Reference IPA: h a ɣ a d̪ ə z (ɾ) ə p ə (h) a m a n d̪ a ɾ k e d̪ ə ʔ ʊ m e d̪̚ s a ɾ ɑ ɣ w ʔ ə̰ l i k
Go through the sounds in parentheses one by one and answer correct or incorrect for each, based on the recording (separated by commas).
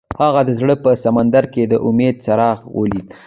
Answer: incorrect, incorrect